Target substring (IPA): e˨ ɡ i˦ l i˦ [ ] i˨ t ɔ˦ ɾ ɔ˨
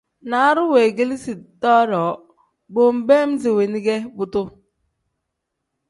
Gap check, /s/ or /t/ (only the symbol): s